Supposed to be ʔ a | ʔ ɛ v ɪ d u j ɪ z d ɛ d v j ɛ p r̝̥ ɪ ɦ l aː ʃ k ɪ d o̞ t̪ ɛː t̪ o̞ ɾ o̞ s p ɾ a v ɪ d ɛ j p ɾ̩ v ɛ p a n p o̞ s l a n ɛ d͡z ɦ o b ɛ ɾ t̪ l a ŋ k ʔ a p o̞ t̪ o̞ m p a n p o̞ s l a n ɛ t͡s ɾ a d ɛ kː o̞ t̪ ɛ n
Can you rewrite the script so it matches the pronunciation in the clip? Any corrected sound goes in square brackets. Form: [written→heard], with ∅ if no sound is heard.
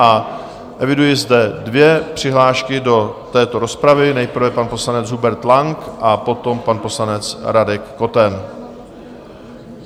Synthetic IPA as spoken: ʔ a | ʔ ɛ v ɪ d u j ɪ z d ɛ d v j ɛ p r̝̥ ɪ ɦ l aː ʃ k ɪ d o̞ t̪ ɛː t̪ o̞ ɾ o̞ s p ɾ a v ɪ [d→n] ɛ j p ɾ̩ v ɛ p a n p o̞ s l a n ɛ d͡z ɦ [o→u] b ɛ ɾ t̪ l a ŋ k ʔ a p o̞ t̪ o̞ m p a n p o̞ s l a n ɛ t͡s ɾ a d ɛ kː o̞ t̪ ɛ n